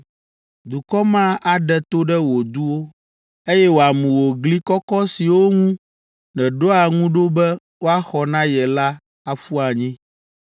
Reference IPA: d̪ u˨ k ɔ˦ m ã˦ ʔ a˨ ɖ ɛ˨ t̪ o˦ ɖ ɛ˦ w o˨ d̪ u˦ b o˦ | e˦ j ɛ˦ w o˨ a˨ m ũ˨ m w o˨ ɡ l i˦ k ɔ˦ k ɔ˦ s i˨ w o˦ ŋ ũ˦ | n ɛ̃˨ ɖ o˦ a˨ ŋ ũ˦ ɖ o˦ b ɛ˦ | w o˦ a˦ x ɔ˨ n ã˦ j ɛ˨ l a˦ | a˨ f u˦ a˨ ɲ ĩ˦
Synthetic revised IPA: d̪ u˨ k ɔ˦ m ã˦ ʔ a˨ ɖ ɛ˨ t̪ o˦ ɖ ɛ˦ w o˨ d̪ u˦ w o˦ | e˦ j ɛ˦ w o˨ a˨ m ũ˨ w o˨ ɡ l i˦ k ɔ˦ k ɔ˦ s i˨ w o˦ ŋ ũ˦ | n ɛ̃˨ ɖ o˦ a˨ ŋ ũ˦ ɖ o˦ b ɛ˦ | w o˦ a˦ x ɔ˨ n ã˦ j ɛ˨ l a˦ | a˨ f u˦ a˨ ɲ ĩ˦